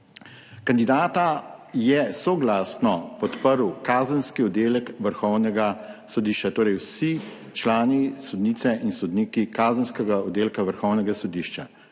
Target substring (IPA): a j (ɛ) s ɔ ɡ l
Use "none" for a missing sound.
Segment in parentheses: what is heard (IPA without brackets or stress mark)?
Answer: ɛ